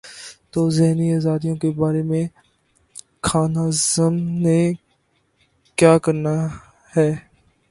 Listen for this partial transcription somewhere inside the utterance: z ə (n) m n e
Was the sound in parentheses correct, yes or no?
no